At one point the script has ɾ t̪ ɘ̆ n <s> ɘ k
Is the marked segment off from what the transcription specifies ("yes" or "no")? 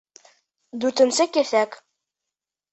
no